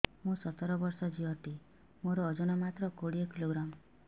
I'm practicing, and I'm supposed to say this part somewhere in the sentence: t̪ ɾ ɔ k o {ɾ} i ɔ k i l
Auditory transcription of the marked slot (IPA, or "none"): ɽ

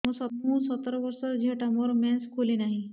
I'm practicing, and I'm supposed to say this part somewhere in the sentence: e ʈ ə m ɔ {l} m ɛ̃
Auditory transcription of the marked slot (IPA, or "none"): ɾ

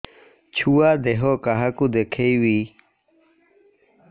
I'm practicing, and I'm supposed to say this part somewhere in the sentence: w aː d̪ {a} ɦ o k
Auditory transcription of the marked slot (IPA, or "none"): e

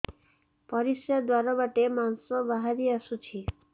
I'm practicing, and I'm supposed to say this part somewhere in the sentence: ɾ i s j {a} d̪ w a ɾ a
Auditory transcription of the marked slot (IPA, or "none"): a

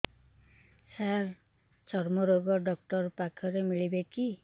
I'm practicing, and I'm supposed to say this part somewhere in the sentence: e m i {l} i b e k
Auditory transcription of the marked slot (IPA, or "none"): ɭ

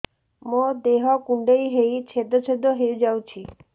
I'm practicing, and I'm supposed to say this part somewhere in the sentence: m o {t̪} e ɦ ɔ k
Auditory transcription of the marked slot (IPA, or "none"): d̪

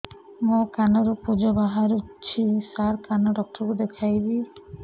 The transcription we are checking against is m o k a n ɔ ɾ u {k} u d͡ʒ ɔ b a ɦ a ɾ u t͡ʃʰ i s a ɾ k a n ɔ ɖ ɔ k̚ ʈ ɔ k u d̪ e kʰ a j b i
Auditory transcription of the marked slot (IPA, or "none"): p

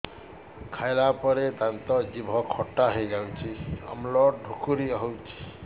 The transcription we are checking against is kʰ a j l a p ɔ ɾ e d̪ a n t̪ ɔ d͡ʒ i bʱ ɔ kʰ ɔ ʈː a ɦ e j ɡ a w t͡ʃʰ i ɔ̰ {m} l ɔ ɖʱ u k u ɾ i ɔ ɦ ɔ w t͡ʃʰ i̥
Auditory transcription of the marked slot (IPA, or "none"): m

